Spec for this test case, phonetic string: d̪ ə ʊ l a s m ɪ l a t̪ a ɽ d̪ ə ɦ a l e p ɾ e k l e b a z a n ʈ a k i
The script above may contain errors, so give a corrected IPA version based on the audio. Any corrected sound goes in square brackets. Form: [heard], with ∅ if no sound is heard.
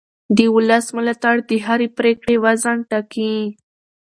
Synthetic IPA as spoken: d̪ ə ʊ l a s m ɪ l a t̪ a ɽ d̪ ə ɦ a [ɾ] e p ɾ e k [ɽ] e [w] a z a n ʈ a k i